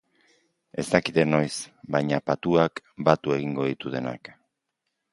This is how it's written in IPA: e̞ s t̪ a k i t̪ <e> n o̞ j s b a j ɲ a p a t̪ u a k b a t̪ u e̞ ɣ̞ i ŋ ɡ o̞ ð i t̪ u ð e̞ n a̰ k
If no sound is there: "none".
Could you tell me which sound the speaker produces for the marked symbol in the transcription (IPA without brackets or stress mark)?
e